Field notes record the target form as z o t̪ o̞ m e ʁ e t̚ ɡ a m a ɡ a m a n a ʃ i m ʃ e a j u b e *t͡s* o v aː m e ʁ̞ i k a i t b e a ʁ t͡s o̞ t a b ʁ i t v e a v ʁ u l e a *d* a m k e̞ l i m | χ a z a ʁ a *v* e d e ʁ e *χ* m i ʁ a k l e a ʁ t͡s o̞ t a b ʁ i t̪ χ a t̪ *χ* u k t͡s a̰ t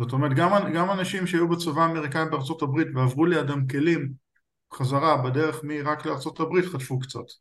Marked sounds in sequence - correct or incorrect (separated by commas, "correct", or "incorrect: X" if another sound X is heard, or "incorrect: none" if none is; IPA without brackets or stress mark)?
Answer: correct, correct, incorrect: b, correct, incorrect: f